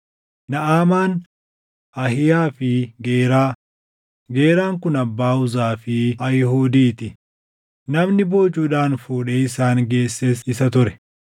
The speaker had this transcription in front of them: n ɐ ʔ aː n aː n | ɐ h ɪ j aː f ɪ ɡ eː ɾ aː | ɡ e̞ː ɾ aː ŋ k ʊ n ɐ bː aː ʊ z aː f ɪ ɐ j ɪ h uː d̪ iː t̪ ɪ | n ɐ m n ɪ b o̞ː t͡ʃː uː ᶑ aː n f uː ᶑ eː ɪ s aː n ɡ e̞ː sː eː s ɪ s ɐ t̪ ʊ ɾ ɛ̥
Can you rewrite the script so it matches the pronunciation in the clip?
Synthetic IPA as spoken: n ɐ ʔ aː m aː n | ɐ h ɪ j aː f ɪ ɡ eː ɾ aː | ɡ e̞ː ɾ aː ŋ k ʊ n ɐ bː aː ʊ z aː f ɪ ɐ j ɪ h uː d̪ iː t̪ ɪ | n ɐ m n ɪ b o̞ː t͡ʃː uː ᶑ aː n f uː ᶑ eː ɪ s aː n ɡ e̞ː sː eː s ɪ s ɐ t̪ ʊ ɾ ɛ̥